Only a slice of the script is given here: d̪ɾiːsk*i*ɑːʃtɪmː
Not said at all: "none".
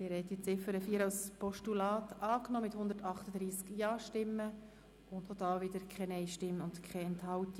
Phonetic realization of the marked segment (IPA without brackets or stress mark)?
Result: j